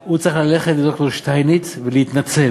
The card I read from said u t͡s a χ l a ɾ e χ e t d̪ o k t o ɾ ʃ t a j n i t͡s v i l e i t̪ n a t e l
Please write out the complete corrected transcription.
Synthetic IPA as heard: u t͡s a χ l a l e χ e t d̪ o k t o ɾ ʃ t a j n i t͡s v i l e i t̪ n a t͡s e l